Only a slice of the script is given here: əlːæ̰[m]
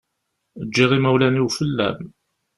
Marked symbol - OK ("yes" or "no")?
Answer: yes